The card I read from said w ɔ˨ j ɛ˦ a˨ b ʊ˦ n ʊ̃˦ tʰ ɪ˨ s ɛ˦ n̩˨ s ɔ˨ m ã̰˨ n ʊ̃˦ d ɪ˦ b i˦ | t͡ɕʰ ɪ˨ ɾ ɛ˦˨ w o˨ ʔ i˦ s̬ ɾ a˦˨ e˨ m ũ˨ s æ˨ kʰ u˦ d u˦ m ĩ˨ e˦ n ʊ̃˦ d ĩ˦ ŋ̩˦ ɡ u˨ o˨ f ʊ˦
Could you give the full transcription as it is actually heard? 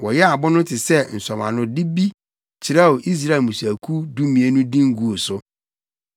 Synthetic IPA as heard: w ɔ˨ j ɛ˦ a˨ b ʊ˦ n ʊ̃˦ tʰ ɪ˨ s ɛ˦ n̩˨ s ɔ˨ m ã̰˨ n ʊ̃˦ d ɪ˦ b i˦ | t͡ɕʰ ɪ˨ ɾ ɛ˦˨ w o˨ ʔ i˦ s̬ ɾ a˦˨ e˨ m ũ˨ s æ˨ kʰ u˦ d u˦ m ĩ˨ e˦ n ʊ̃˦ d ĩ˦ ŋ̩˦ ɡ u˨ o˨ s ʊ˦